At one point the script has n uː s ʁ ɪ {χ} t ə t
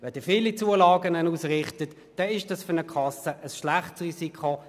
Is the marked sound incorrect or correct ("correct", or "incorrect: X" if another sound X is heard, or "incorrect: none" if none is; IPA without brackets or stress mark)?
correct